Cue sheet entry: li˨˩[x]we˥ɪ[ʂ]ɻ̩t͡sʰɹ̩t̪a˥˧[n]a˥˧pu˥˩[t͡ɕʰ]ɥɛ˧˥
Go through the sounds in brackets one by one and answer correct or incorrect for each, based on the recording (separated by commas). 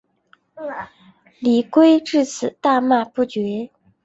incorrect, incorrect, incorrect, incorrect